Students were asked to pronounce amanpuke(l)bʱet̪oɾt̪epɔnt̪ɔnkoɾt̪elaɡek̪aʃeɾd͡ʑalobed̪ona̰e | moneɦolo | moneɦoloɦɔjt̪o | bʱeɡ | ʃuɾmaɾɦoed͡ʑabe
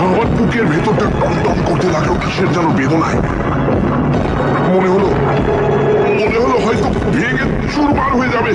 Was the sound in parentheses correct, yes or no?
no